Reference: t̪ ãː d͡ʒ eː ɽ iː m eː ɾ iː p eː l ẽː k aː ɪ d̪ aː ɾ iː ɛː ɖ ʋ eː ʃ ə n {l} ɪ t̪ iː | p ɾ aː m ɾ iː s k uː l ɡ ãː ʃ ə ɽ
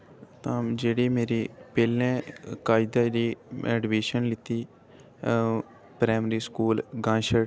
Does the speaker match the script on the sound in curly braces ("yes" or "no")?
yes